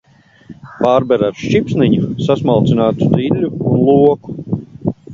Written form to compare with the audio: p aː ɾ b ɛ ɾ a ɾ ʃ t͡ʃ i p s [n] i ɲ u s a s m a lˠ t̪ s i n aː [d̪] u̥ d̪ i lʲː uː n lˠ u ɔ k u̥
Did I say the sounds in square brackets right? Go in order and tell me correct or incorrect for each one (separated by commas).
correct, incorrect